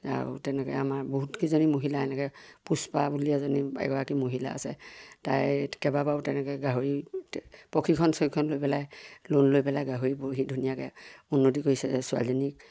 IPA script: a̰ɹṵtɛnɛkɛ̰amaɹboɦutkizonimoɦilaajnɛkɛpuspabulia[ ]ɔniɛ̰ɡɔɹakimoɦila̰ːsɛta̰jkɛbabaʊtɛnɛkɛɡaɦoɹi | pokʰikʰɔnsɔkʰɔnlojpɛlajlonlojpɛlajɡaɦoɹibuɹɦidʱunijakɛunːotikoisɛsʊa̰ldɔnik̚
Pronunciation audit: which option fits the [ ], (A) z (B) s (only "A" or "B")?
A